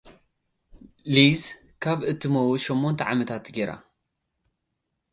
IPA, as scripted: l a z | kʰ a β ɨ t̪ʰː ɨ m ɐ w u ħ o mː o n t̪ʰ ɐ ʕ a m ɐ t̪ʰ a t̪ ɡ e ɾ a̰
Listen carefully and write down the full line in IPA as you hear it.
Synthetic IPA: l i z | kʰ a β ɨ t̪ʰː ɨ m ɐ w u ʃ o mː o n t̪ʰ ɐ ʕ a m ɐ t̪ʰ a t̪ ɡ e ɾ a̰